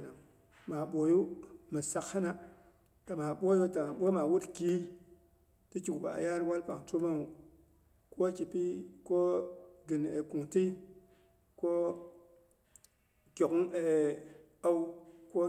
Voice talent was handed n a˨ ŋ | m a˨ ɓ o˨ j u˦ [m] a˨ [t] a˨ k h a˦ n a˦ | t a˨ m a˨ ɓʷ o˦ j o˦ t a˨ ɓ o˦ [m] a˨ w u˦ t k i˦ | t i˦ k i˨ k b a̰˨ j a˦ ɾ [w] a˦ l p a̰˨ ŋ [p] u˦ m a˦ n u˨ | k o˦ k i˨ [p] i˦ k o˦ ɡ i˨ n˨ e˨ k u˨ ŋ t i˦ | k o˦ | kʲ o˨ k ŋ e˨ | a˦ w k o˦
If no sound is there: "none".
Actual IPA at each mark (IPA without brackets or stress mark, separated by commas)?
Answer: m, s, m, w, t, p